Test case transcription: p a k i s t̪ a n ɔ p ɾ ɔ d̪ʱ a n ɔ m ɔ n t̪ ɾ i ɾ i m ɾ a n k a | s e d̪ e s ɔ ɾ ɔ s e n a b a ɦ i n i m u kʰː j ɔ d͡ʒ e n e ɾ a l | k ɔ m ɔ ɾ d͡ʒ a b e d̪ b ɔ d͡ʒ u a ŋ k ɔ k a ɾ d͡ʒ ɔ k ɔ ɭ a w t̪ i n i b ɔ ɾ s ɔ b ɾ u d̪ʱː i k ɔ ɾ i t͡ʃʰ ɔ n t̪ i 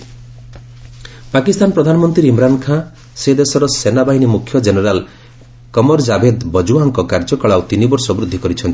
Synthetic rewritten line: p a k i s t̪ a n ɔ p ɾ ɔ d̪ʱ a n ɔ m ɔ n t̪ ɾ i ɾ i m ɾ a n kʰ a | s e d̪ e s ɔ ɾ ɔ s e n a b a ɦ i n i m u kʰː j ɔ d͡ʒ e n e ɾ a l | k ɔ m ɔ ɾ d͡ʒ a b e d̪ b ɔ d͡ʒ u a ŋ k ɔ k a ɾ d͡ʒ ɔ k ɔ ɭ a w t̪ i n i b ɔ ɾ s ɔ b ɾ u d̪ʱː i k ɔ ɾ i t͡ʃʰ ɔ n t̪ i